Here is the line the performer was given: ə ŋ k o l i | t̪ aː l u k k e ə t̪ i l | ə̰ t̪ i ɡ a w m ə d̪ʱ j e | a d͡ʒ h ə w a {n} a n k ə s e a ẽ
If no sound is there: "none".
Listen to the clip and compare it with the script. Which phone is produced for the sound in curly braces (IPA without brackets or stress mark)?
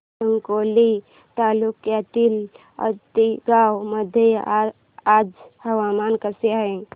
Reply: m